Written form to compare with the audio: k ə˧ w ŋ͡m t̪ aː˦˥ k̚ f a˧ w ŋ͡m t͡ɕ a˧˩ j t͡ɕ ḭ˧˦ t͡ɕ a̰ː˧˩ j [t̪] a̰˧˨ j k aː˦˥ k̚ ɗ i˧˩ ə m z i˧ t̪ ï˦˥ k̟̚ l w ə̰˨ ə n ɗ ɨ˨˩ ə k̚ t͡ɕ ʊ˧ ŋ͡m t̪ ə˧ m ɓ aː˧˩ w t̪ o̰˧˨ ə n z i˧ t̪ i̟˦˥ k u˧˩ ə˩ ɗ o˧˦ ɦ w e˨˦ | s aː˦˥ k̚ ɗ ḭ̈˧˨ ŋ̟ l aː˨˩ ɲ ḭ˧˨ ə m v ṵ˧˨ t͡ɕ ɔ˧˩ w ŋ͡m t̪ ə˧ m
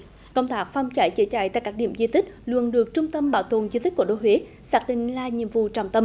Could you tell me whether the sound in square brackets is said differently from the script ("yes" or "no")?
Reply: no